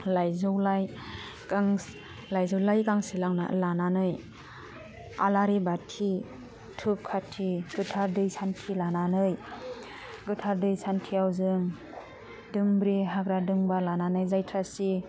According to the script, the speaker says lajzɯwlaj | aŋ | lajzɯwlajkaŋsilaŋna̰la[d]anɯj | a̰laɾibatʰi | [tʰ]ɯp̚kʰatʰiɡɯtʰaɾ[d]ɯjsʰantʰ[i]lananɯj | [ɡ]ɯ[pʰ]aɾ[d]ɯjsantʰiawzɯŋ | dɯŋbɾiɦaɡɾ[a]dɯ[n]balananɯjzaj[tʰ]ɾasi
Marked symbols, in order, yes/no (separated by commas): no, yes, yes, yes, yes, no, yes, yes, no, yes